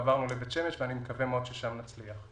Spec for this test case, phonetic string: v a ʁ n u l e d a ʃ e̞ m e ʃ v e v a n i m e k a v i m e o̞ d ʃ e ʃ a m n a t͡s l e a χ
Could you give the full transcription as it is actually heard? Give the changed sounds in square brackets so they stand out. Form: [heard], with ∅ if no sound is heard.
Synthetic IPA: v a ʁ n u l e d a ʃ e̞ m e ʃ v e [∅] a n i m e k a v [e] m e o̞ d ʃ e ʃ a m n a t͡s l [i] a χ